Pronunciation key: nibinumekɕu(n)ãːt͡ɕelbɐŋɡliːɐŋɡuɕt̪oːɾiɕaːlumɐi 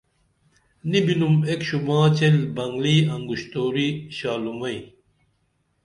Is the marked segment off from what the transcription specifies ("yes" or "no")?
yes